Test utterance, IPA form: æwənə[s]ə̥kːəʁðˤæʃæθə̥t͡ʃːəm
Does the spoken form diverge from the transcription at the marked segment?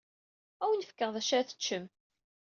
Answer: yes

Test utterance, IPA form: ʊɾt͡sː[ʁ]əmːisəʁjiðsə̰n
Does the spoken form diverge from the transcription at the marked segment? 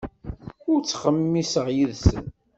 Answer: yes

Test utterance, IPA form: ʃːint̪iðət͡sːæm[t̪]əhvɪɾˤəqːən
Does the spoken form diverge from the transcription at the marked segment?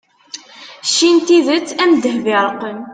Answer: yes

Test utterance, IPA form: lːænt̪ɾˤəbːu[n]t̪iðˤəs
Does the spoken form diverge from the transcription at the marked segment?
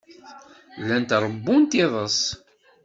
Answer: no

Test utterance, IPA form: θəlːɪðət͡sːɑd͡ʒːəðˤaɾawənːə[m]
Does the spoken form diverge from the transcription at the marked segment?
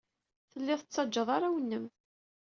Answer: no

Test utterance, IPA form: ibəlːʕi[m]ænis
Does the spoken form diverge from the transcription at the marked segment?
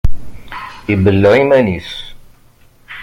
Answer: no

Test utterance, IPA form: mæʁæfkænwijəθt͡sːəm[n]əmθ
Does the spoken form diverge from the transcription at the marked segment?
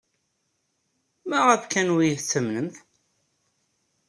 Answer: no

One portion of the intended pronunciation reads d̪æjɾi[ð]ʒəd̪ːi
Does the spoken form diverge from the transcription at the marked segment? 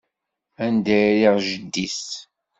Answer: yes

